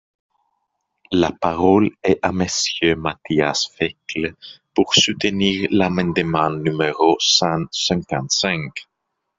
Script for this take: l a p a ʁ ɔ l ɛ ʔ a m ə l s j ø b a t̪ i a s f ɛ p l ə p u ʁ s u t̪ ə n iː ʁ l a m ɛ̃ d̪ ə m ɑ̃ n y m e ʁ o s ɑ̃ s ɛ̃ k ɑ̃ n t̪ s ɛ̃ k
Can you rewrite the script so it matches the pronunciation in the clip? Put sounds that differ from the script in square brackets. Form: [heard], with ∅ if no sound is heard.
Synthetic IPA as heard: l a p a ʁ ɔ l ɛ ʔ a m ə [∅] s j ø [m] a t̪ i a s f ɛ [k] l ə p u ʁ s u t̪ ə n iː ʁ l a m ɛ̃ d̪ ə m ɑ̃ n y m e ʁ o s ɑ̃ s ɛ̃ k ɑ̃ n t̪ s ɛ̃ k